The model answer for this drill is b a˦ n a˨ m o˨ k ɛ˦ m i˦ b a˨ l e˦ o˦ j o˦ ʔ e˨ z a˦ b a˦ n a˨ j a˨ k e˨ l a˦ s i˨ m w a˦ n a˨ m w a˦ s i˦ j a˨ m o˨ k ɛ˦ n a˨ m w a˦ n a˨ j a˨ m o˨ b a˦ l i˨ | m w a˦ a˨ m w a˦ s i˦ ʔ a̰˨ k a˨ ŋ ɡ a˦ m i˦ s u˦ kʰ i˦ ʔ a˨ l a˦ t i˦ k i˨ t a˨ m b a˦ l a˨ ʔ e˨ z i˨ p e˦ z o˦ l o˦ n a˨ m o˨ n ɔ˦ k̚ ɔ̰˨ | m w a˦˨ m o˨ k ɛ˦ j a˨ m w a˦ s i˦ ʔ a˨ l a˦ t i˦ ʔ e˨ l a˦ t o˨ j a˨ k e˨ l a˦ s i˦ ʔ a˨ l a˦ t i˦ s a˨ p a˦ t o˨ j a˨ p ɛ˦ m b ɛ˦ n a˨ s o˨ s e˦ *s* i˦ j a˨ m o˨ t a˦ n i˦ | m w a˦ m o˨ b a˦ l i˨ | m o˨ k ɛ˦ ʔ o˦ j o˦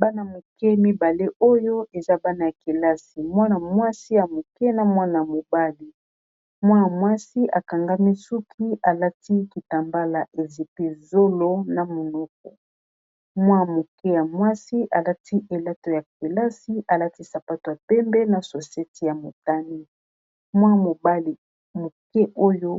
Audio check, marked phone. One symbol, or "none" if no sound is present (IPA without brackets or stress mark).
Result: t